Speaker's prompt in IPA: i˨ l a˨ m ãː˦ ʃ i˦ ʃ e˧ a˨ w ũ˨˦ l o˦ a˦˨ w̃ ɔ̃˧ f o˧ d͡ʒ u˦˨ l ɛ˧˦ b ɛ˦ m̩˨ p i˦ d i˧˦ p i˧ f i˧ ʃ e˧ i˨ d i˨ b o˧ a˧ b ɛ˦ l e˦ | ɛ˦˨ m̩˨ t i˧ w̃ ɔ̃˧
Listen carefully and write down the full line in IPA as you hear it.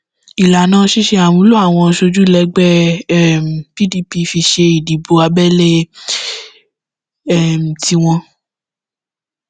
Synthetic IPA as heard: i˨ l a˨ n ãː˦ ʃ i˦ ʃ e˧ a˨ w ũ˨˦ l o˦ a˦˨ w̃ ɔ̃˧ ʃ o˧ d͡ʒ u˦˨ l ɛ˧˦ ɡ͡b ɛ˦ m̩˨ p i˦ d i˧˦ p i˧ f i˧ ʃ e˧ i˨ d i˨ b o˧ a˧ b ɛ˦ l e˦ | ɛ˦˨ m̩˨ t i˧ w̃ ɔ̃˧